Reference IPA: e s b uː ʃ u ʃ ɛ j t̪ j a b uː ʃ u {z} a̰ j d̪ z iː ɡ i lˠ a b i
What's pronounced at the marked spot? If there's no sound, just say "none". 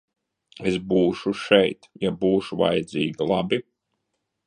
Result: v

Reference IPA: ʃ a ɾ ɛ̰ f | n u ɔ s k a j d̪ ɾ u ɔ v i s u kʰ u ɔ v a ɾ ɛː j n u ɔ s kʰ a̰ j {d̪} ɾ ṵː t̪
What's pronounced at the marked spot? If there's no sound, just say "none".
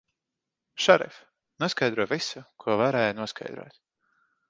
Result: d̪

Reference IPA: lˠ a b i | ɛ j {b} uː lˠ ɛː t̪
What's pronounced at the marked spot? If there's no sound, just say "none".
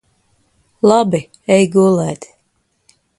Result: ɡ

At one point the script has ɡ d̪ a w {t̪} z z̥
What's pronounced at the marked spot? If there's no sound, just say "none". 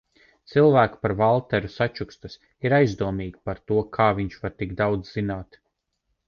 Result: d̪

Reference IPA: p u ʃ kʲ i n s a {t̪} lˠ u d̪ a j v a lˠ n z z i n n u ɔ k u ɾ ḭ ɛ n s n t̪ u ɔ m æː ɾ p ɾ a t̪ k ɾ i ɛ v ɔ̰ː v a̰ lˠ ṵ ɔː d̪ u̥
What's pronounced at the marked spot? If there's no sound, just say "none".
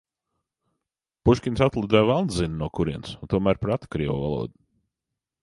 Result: t̪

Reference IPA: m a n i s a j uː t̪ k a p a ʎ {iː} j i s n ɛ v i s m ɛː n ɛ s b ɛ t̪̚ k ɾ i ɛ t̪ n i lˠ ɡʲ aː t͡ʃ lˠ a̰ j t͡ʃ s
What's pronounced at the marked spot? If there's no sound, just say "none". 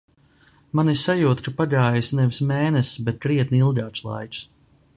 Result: aː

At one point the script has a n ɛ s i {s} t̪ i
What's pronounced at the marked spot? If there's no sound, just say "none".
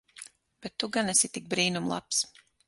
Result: none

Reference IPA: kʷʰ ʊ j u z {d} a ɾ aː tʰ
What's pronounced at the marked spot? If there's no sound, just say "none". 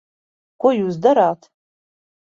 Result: d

